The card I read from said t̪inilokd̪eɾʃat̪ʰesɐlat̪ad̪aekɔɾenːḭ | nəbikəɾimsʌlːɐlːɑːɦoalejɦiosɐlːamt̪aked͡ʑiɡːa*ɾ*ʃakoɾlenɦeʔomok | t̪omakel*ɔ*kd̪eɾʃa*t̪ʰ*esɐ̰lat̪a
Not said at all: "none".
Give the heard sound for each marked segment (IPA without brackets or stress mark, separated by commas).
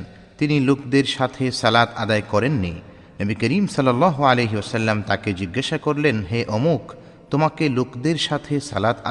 none, o, t̪ʰ